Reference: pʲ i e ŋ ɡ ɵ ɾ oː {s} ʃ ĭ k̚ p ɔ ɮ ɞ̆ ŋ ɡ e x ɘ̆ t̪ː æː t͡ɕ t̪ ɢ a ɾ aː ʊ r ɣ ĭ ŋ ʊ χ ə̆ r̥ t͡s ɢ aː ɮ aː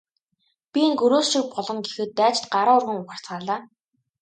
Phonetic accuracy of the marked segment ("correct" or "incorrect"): correct